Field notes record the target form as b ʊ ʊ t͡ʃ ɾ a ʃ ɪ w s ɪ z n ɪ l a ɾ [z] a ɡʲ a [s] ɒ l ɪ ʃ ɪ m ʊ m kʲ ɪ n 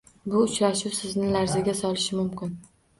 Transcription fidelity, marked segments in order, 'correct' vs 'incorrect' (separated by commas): correct, correct